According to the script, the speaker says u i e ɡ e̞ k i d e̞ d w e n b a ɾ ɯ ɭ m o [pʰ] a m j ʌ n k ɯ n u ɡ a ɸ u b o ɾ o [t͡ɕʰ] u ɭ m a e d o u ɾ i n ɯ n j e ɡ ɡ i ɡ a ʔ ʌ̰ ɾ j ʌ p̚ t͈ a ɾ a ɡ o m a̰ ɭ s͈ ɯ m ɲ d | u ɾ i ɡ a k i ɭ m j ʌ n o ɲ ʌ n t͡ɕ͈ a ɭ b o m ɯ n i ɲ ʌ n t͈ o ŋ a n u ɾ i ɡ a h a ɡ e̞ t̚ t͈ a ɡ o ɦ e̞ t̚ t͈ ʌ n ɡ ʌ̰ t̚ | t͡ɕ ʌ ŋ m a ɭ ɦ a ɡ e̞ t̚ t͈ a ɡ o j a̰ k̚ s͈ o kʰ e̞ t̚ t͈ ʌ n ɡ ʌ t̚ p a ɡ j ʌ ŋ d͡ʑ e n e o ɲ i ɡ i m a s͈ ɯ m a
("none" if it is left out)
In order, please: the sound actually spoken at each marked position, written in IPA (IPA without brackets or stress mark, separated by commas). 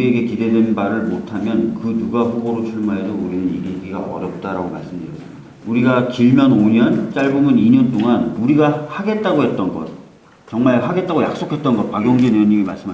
tʰ, t͡ɕʰ